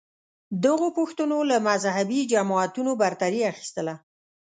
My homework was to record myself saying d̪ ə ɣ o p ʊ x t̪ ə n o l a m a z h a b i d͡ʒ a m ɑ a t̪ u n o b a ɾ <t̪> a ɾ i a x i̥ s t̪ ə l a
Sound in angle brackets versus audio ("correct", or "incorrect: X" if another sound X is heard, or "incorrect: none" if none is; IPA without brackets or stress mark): correct